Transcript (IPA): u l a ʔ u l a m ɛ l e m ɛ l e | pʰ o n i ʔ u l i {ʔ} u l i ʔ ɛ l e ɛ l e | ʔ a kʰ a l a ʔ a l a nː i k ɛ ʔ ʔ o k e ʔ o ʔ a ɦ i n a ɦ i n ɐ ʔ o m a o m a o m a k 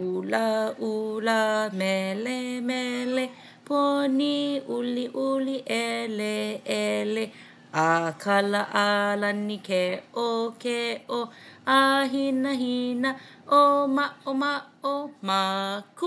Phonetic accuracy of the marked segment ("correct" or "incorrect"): correct